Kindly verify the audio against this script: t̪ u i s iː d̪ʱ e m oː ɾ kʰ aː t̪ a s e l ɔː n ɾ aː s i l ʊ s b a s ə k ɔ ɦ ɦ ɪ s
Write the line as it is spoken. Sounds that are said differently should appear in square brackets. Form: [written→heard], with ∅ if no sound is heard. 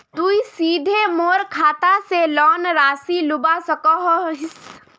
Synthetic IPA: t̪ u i s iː d̪ʱ e m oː ɾ kʰ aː t̪ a s e l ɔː n ɾ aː s i l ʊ [s→∅] b a s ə k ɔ ɦ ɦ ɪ s